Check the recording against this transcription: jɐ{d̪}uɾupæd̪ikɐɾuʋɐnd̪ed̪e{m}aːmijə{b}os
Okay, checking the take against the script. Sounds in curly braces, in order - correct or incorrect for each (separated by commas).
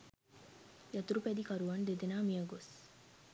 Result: incorrect, incorrect, incorrect